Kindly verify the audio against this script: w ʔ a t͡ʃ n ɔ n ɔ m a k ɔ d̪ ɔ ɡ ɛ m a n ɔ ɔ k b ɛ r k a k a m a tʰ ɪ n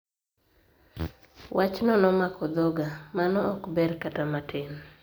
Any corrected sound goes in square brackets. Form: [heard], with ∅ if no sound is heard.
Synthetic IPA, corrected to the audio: w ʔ a t͡ʃ n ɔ n ɔ m a k ɔ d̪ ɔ ɡ [a] m a n ɔ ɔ k b ɛ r k a [t] a m a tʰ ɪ n